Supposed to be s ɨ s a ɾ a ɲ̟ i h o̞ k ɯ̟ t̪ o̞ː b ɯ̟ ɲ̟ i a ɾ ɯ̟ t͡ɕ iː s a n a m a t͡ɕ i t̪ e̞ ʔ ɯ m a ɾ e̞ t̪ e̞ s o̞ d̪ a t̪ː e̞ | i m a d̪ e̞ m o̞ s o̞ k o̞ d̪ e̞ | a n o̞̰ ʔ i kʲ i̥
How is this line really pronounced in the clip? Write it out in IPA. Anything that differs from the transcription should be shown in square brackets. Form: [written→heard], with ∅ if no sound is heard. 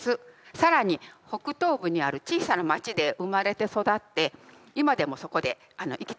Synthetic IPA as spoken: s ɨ s a ɾ a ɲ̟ i h o̞ k ɯ̟ t̪ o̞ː b ɯ̟ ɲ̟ i a ɾ ɯ̟ t͡ɕ iː s a n a m a t͡ɕ i [t̪→d̪] e̞ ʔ ɯ m a ɾ e̞ t̪ e̞ s o̞ d̪ a t̪ː e̞ | i m a d̪ e̞ m o̞ s o̞ k o̞ d̪ e̞ | a n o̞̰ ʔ i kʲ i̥